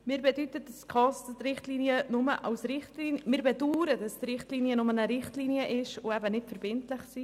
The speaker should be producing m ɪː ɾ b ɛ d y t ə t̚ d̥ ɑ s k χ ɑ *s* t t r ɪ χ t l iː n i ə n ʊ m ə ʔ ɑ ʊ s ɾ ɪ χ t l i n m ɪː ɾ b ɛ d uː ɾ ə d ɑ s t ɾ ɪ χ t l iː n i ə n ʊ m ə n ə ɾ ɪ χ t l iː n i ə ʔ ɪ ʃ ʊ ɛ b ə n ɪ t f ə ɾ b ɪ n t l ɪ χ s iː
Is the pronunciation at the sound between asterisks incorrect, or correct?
correct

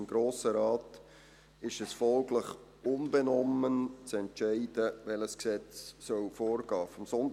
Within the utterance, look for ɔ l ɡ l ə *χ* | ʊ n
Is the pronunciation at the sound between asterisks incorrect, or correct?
correct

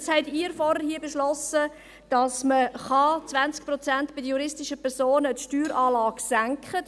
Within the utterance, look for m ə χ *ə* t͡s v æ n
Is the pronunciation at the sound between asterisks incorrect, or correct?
incorrect: ɑ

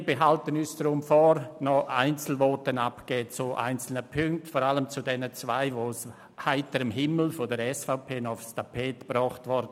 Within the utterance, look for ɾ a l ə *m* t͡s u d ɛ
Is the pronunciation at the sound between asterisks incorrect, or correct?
correct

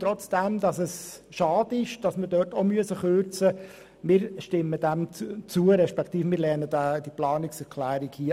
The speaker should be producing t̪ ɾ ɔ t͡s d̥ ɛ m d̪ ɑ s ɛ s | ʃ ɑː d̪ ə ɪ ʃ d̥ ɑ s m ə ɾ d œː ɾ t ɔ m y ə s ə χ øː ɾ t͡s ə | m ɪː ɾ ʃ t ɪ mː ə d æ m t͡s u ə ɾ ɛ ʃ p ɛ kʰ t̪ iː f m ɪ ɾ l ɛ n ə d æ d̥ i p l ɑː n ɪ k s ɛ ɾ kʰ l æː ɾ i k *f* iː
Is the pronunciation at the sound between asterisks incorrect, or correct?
incorrect: h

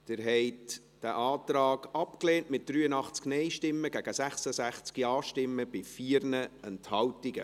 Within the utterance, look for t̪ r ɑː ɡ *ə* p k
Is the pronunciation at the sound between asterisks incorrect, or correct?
incorrect: ɑ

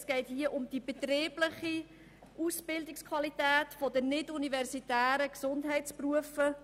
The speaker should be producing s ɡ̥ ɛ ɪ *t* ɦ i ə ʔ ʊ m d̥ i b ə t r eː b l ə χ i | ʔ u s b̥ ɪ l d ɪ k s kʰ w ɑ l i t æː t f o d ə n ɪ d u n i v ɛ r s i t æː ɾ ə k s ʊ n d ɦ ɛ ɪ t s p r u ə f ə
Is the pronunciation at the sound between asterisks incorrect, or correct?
correct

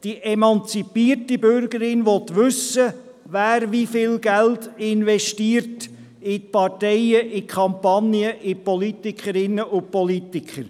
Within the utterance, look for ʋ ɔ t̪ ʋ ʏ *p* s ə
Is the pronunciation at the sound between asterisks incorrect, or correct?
incorrect: none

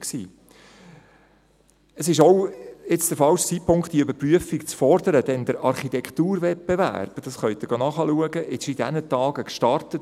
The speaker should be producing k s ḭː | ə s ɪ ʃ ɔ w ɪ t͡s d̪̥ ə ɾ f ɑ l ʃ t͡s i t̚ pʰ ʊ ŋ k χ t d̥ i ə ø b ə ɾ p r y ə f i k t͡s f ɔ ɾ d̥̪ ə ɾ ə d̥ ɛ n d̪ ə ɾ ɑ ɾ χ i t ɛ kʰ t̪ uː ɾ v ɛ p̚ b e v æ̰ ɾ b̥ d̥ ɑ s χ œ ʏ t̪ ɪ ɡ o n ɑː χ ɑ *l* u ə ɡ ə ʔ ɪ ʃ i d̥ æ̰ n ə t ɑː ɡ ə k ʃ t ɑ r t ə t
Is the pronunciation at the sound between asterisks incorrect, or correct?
correct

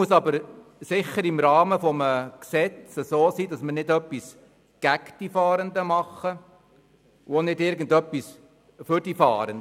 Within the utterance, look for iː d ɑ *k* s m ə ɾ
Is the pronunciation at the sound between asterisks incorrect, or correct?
incorrect: none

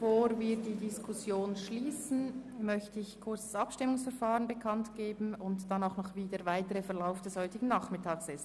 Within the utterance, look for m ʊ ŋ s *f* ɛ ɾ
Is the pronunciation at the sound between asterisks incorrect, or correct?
correct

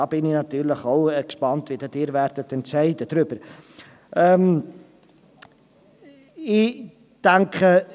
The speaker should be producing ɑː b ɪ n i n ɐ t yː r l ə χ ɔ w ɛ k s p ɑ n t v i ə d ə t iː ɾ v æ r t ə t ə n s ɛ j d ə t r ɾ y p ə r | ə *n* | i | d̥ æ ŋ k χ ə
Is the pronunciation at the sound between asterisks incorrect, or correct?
incorrect: m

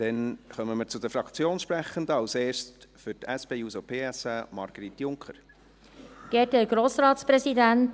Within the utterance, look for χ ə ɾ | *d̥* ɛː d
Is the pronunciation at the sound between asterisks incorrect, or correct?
incorrect: ɡ̥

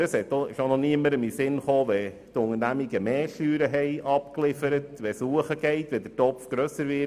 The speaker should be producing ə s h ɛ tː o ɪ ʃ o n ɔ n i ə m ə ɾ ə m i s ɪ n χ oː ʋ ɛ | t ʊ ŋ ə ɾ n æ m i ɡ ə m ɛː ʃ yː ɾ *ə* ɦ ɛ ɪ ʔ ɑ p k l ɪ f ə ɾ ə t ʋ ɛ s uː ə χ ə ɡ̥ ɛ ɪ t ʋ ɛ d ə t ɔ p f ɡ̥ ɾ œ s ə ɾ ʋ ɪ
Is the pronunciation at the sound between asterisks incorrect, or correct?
correct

